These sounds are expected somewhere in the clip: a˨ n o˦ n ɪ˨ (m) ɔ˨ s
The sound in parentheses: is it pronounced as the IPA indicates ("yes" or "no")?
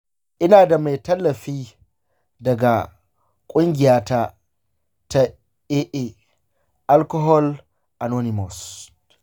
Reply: yes